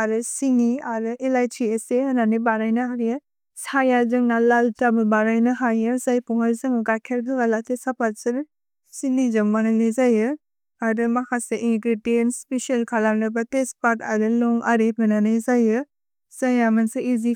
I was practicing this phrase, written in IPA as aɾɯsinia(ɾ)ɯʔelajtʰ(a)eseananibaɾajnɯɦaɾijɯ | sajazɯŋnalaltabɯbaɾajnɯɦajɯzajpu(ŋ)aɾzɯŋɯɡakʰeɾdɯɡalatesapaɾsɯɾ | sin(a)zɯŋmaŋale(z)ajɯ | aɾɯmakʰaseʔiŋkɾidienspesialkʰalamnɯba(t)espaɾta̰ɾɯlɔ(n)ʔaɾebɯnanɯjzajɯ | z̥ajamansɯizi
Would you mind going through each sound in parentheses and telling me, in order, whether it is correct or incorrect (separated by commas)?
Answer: correct, incorrect, correct, incorrect, correct, correct, incorrect